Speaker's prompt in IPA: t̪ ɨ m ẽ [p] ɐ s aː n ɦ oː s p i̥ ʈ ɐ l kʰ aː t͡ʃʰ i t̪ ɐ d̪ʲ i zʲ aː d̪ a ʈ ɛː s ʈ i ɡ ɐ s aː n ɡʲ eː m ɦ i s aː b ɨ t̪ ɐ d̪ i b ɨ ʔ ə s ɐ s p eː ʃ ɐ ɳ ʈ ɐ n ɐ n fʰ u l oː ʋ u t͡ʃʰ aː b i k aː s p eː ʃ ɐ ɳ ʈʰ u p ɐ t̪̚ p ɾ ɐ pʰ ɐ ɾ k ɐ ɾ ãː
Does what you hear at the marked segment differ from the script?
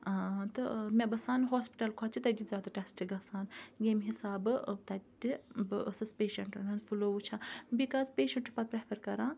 yes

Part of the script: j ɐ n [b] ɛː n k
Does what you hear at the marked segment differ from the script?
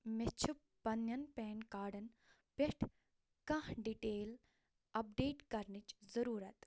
yes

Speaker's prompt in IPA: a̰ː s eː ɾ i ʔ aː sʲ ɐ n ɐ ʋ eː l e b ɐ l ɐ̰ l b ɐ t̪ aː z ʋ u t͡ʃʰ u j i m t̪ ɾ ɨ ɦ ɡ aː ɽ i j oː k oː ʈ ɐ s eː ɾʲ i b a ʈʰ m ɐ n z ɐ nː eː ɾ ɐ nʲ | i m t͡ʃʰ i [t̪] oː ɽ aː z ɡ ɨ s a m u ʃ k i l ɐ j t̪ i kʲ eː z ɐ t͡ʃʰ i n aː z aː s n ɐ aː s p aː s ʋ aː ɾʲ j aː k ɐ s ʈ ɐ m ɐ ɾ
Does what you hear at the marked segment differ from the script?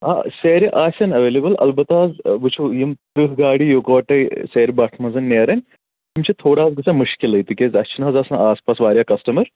yes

